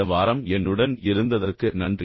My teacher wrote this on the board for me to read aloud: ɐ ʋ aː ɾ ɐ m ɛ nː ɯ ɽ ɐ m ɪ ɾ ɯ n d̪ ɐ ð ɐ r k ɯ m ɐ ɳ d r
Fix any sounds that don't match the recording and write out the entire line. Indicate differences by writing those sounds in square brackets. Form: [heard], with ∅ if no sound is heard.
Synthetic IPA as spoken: ɐ ʋ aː ɾ ɐ m ɛ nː ɯ ɽ ɐ [n] ɪ ɾ ɯ n d̪ ɐ ð ɐ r k ɯ [n] ɐ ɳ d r